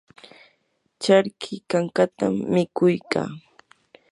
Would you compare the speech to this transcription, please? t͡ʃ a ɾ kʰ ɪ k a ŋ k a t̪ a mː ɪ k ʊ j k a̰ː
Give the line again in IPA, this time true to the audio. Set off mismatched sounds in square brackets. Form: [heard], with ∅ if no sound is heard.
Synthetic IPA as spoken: t͡ʃ a ɾ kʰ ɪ k a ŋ k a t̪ a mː ɪ k ʊ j k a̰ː